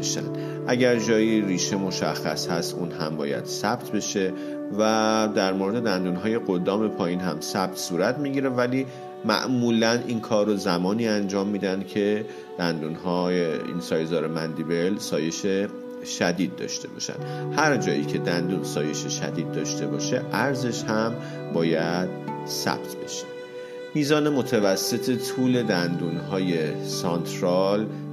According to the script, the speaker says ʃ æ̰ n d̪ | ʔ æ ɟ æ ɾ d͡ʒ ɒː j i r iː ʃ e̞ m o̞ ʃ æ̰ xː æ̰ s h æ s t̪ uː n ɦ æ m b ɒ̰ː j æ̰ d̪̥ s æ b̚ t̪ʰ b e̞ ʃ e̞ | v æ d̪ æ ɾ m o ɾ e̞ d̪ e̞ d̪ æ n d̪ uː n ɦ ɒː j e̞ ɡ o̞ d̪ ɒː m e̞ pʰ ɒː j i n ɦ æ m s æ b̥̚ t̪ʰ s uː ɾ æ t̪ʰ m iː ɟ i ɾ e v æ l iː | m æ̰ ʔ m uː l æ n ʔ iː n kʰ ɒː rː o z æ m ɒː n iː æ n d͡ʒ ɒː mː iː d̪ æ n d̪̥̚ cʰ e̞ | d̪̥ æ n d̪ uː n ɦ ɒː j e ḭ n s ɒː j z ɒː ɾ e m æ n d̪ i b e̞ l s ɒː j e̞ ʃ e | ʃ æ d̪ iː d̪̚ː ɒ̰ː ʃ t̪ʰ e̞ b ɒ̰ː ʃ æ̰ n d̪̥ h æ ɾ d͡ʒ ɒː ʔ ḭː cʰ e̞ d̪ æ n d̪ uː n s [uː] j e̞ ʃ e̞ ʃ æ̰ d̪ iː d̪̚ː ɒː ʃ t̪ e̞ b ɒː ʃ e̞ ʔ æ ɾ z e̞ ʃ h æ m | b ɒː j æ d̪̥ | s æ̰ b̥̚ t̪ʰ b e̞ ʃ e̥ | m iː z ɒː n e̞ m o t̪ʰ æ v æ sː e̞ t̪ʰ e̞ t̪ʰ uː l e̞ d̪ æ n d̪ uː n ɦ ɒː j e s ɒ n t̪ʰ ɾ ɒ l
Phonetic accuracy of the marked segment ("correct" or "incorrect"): incorrect